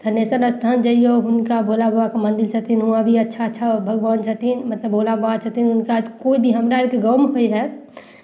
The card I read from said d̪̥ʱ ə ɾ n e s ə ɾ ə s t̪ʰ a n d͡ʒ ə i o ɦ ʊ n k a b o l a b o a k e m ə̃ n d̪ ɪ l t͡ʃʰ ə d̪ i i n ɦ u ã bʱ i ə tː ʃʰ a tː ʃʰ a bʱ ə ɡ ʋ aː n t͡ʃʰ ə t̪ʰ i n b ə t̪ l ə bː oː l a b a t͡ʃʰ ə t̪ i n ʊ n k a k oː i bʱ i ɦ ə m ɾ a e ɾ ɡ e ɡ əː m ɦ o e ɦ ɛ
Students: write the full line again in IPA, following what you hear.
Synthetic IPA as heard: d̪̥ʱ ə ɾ n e s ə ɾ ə s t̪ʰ a n d͡ʒ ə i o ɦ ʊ n k a b o l a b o a k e m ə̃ n d̪ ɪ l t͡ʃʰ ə t̪ i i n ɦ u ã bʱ i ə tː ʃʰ a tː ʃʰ a bʱ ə ɡ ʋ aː n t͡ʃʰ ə t̪ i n m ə t̪ l ə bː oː l a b a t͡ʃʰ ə t̪ i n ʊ n k a k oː i bʱ i ɦ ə m ɾ a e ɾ k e ɡ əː m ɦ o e ɦ ɛ

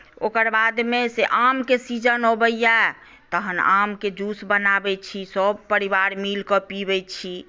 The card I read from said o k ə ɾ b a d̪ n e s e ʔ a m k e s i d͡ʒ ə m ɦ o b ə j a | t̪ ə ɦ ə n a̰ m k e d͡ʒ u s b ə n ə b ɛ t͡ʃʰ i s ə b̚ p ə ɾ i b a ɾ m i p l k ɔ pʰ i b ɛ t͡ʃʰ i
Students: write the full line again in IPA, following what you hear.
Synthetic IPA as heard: o k ə ɾ b a d̪ m e s e ʔ a m k e s i d͡ʒ ə n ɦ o b ə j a | t̪ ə ɦ ə n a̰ m k e d͡ʒ u s b ə n a b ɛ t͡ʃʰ i s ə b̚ p ə ɾ i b a ɾ m i l k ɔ p i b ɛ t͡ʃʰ i

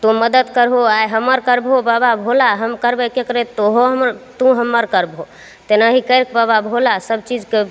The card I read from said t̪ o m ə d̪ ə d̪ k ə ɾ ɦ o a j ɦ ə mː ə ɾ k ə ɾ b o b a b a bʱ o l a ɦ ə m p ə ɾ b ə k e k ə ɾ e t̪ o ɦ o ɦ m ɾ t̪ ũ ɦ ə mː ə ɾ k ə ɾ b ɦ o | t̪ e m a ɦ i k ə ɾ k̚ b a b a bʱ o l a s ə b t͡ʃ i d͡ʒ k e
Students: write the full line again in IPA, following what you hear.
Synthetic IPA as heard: t̪ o m ə d̪ ə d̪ k ə ɾ ɦ o a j ɦ ə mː ə ɾ k ə ɾ b o b a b a bʱ o l a ɦ ə m k ə ɾ b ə k e k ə ɾ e t̪ o ɦ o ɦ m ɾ t̪ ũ ɦ ə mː ə ɾ k ə ɾ b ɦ o | t̪ e n a ɦ i k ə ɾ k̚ b a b a bʱ o l a s ə b t͡ʃ i d͡ʒ k e

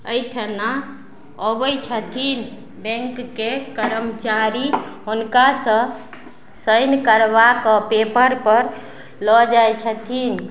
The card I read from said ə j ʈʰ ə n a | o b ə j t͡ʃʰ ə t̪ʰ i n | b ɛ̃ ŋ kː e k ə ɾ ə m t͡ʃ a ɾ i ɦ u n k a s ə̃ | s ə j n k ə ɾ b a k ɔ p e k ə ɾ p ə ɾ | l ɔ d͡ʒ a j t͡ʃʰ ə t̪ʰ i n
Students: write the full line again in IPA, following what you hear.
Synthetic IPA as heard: ə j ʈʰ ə n a | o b ə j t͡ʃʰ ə t̪ʰ i n | b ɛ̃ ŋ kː e k ə ɾ ə m t͡ʃ a ɾ i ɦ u n k a s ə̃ | s ə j n k ə ɾ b a k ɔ p e p ə ɾ p ə ɾ | l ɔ d͡ʒ a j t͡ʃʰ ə t̪ʰ i n

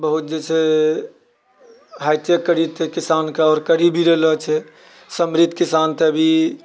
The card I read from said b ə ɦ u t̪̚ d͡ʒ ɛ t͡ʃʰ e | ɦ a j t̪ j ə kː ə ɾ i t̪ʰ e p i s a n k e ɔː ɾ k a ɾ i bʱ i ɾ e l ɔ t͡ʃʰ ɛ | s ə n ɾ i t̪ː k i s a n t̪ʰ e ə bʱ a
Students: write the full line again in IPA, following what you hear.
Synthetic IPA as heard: b ə ɦ u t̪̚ d͡ʒ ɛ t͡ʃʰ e | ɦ a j t̪ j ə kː ə ɾ i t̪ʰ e k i s a n k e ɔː ɾ k ə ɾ i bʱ i ɾ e l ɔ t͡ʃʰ ɛ | s ə m ɾ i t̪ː k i s a n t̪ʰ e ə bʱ i

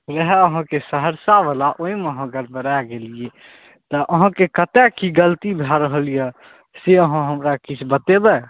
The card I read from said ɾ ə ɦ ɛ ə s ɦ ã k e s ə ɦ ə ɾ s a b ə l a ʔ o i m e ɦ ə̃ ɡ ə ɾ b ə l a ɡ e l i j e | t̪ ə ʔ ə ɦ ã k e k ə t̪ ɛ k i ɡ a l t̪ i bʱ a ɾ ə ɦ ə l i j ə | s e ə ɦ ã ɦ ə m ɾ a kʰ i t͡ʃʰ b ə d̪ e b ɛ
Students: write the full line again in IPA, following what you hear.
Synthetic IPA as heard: ɾ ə ɦ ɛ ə ɦ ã k e s ə ɦ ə ɾ s a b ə l a ʔ o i m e ɦ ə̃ ɡ ə ɾ b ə ɾ a ɡ e l i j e | t̪ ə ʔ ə ɦ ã k e k ə t̪ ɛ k i ɡ ə l t̪ i bʱ a ɾ ə ɦ ə l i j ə | s e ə ɦ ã ɦ ə m ɾ a k i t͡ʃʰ b ə t̪ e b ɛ

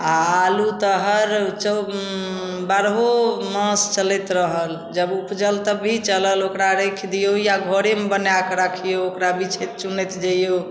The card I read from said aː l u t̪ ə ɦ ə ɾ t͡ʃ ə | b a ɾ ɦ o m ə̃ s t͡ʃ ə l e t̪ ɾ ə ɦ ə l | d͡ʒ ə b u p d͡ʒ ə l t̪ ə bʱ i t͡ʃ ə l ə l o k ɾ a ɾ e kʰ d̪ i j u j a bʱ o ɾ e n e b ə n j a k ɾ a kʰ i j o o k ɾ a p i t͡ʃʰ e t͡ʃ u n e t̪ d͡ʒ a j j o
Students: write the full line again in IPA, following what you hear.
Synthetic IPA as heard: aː l u t̪ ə ɦ ə ɾ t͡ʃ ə | b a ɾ ɦ o m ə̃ s t͡ʃ ə l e t̪ ɾ ə ɦ ə l | d͡ʒ ə b u p d͡ʒ ə l t̪ ə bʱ i t͡ʃ ə l ə l o k ɾ a ɾ e kʰ d̪ i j o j a ɡʱ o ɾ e m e b ə n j a k ɾ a kʰ i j o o k ɾ a b i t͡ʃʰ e t͡ʃ u n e t̪ d͡ʒ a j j o

